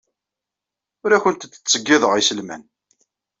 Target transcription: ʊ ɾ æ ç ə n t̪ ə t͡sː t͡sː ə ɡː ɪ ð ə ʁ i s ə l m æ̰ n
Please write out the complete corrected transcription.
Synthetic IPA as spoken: ʊ ɾ æ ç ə n t̪ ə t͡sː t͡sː ə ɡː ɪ ð ə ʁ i s ə l m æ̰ n